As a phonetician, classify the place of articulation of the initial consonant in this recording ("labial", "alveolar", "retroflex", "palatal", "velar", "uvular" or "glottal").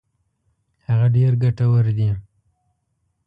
glottal